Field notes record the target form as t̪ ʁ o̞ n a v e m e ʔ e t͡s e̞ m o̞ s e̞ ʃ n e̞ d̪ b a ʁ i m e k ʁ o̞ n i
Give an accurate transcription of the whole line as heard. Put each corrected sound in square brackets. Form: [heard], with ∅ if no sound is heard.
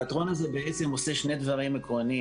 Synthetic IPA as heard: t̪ ʁ o̞ n a [z] e [b] e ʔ e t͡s e̞ m o̞ s e̞ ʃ n e̞ d̪ [v] a ʁ i m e k ʁ o̞ n i

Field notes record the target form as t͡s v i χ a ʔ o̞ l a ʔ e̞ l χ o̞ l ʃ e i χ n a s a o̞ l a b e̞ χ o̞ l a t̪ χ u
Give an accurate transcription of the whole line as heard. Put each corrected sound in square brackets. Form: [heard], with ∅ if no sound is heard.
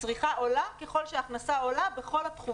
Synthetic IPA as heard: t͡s [ʁ] i χ a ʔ o̞ l a [k] e̞ [∅] χ o̞ l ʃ e [a] χ n a s a o̞ l a b e̞ χ o̞ l a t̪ χ u

